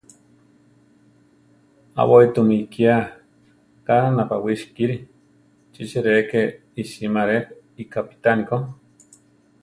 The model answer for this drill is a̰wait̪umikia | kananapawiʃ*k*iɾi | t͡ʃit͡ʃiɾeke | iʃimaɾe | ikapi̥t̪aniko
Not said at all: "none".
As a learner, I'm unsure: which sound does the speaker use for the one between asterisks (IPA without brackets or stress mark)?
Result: k